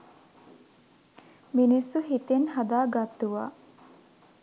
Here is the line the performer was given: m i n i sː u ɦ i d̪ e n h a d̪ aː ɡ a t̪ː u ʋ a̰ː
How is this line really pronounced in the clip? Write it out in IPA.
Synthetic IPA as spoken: m i n i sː u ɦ i t̪ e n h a d̪ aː ɡ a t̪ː u ʋ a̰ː